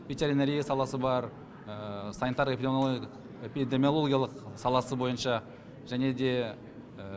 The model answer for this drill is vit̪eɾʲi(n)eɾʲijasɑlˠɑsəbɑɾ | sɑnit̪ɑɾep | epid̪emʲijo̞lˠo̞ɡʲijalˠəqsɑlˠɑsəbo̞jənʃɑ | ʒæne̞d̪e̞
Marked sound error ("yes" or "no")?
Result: no